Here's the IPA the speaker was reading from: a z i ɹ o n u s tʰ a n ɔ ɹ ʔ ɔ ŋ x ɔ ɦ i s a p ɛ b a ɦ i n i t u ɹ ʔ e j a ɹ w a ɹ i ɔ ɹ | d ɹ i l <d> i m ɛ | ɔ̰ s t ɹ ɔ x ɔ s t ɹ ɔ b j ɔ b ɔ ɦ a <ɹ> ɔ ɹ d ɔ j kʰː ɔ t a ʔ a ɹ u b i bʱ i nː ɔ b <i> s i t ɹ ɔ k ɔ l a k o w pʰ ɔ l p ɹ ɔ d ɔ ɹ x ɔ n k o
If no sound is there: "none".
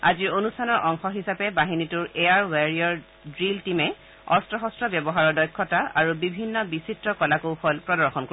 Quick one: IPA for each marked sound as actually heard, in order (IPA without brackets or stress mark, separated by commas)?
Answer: t, ɹ, i